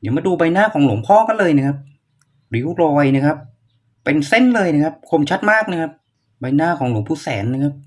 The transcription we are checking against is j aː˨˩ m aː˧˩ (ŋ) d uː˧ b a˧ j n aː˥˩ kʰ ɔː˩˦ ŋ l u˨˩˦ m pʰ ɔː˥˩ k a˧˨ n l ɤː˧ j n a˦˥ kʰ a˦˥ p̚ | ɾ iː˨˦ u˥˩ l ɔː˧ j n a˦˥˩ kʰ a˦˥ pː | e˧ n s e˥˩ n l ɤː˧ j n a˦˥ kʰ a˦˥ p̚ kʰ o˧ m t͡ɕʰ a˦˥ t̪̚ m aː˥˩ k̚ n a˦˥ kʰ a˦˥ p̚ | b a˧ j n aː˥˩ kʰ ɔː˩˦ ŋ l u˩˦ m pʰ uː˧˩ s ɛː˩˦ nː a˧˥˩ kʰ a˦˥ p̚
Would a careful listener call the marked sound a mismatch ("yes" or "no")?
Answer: yes